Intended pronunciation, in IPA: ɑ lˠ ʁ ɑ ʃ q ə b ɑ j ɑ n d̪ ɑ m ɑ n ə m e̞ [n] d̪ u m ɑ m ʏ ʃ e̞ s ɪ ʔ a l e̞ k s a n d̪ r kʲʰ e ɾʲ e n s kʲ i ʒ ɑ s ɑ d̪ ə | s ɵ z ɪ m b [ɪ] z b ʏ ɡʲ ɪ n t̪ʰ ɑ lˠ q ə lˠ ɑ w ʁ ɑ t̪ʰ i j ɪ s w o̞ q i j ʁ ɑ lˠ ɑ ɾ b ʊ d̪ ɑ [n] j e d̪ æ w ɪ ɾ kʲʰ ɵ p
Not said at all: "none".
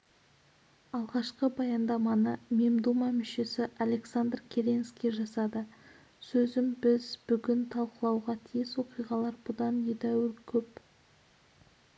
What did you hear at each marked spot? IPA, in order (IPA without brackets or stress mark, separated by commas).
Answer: m, ɪ, n